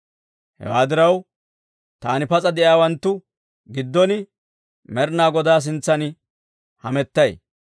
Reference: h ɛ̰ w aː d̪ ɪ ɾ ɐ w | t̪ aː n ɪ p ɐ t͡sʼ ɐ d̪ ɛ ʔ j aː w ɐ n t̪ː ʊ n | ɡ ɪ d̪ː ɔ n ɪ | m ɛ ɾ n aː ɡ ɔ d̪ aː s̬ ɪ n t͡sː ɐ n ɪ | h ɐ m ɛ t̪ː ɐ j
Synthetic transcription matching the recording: h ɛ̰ w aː d̪ ɪ ɾ ɐ w | t̪ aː n ɪ p ɐ t͡sʼ ɐ d̪ ɛ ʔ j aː w ɐ n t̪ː ʊ | ɡ ɪ d̪ː ɔ n ɪ | m ɛ ɾ n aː ɡ ɔ d̪ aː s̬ ɪ n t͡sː ɐ n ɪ | h ɐ m ɛ t̪ː ɐ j